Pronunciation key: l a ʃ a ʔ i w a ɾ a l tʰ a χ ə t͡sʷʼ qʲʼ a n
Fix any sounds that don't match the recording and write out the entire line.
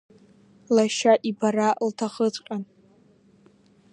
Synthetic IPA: l a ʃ a ʔ i b a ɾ a l tʰ a χ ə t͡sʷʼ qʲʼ a n

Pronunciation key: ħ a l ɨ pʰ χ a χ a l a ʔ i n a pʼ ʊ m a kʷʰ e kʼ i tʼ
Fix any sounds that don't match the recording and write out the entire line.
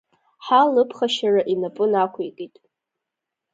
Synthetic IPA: ħ a l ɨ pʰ χ a ʃ a r a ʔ i n a pʼ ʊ n a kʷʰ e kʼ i tʼ

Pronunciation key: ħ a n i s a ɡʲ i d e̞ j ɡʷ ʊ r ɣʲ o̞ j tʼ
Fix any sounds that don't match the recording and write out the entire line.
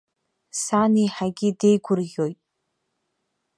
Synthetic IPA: s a n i ħ a ɡʲ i d e̞ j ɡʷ ʊ r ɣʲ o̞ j tʼ

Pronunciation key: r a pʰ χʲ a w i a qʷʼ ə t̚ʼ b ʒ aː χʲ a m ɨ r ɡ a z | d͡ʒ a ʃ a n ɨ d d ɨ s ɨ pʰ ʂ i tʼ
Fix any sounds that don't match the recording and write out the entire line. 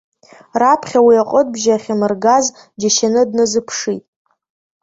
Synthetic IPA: r a pʰ χʲ a w i a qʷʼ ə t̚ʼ b ʒ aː χʲ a m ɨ r ɡ a z | d͡ʒ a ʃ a n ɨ d n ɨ z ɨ pʰ ʂ i tʼ

